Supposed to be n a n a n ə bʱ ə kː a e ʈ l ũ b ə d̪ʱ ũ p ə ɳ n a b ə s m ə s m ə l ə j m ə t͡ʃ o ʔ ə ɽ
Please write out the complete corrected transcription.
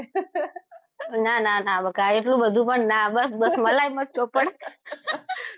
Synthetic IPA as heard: n a n a n a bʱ ə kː a e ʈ l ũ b ə d̪ʱ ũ p ə ɳ n a b ə s b ə s m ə l a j m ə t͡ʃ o p ə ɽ